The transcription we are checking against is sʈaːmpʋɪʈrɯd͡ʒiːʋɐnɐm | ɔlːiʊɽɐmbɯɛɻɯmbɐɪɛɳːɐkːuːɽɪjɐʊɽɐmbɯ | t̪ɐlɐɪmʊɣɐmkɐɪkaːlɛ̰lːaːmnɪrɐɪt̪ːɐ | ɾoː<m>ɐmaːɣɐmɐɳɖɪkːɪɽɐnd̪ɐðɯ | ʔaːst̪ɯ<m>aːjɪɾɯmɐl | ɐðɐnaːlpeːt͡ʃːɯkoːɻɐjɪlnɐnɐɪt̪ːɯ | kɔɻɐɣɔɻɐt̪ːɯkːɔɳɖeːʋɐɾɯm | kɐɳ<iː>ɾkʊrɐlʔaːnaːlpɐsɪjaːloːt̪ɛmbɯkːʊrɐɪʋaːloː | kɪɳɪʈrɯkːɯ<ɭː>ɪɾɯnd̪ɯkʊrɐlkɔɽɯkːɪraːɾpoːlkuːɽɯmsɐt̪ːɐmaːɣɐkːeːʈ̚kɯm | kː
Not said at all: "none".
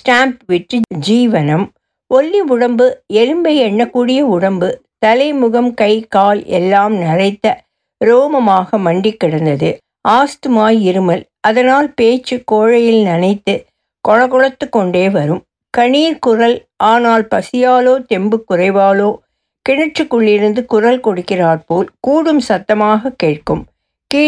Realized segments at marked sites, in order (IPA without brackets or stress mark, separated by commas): m, m, iː, ɭː